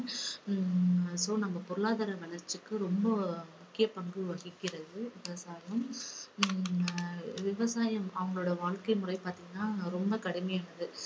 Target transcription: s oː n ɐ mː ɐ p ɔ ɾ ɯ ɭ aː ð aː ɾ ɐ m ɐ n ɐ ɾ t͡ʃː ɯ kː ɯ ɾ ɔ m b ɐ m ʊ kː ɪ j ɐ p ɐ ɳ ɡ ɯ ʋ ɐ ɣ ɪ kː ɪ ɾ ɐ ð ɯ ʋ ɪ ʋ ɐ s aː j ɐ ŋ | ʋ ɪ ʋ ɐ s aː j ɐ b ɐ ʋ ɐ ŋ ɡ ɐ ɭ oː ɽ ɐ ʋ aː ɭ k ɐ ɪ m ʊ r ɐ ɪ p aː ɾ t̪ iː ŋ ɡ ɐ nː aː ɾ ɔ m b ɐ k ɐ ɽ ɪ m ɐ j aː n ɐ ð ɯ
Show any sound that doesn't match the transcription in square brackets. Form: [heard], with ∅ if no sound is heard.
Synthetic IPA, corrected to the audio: s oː n ɐ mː ɐ p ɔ ɾ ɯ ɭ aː ð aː ɾ ɐ m ɐ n ɐ ɾ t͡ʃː ɯ kː ɯ ɾ ɔ m b ɐ m ʊ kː ɪ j ɐ p ɐ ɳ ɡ ɯ ʋ ɐ ɣ ɪ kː ɪ ɾ ɐ ð ɯ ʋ ɪ ʋ ɐ s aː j ɐ [m] | ʋ ɪ ʋ ɐ s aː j ɐ [m] ɐ ʋ ɐ ŋ ɡ ɐ ɭ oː ɽ ɐ ʋ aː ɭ k ɐ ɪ m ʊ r ɐ ɪ p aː ɾ t̪ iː ŋ ɡ ɐ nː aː ɾ ɔ m b ɐ k ɐ ɽ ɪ m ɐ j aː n ɐ ð ɯ